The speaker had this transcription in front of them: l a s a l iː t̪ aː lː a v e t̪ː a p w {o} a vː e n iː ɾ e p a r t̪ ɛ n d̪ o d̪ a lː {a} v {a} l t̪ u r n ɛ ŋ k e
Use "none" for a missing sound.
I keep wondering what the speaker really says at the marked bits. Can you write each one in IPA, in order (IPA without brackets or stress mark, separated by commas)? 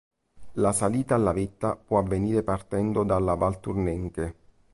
ɔ, a, a